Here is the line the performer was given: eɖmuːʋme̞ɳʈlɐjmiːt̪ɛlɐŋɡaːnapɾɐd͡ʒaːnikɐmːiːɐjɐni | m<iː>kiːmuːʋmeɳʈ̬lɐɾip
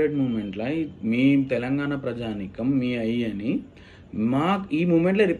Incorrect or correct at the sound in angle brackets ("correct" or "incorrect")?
incorrect